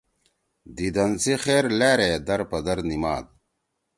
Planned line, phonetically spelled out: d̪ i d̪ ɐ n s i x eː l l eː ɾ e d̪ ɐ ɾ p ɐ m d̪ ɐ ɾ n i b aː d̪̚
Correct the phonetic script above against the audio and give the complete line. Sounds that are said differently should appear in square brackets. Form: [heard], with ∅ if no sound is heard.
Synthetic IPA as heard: d̪ i d̪ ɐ n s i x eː [ɾ] l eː ɾ e d̪ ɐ ɾ p ɐ [∅] d̪ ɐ ɾ n i [m] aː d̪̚